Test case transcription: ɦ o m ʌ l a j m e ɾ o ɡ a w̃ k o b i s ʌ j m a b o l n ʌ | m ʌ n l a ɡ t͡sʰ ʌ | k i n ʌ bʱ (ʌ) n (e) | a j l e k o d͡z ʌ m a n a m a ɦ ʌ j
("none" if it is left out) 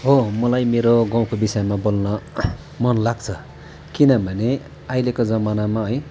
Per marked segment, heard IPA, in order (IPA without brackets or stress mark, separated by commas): ʌ, e